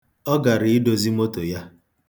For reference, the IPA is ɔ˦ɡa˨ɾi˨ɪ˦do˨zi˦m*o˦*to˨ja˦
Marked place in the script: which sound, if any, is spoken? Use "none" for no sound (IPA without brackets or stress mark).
o˦